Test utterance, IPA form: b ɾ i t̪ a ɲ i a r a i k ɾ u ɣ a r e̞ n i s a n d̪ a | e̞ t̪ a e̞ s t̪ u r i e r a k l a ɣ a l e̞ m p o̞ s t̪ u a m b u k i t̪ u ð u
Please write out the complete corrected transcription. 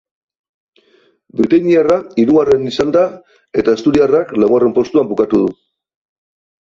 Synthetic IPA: b ɾ i t̪ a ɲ i a r a i ɾ u ɣ a r e̞ n i s a n d̪ a | e̞ t̪ a e̞ s t̪ u ɾ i a r a k l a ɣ a r e̞ m p o̞ s t̪ u a m b u k a t̪ u ð u